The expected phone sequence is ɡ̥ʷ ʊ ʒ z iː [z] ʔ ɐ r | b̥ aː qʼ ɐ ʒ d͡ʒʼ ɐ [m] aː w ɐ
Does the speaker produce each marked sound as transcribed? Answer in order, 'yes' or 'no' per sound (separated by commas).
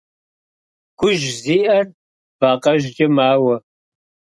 no, yes